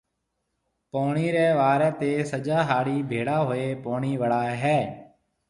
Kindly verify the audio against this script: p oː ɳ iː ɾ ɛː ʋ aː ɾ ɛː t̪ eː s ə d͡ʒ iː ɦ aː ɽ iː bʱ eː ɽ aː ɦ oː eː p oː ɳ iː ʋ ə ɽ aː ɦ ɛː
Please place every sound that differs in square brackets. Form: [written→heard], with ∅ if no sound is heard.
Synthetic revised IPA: p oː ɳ iː ɾ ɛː ʋ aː ɾ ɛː t̪ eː s ə d͡ʒ [iː→aː] ɦ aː ɽ iː bʱ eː ɽ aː ɦ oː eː p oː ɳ iː ʋ ə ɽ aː ɦ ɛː